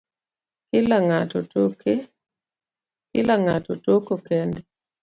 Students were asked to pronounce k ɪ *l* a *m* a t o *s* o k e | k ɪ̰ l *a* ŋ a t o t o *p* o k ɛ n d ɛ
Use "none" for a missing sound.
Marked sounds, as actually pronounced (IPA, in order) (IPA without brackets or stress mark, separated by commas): l, ŋ, t, a, k